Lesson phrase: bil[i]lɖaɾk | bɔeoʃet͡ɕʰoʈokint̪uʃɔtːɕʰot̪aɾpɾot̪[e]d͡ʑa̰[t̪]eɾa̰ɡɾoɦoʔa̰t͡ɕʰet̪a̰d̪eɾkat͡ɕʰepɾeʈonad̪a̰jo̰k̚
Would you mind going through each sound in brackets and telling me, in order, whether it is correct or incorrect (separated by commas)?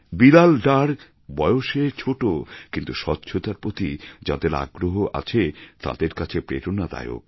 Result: incorrect, incorrect, incorrect